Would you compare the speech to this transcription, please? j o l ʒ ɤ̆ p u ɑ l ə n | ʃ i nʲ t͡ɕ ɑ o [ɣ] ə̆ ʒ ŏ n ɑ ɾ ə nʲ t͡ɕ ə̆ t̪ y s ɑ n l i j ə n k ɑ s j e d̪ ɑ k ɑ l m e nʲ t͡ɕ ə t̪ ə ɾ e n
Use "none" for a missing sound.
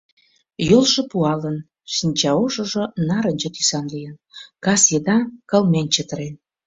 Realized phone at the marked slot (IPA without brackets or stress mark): ʒ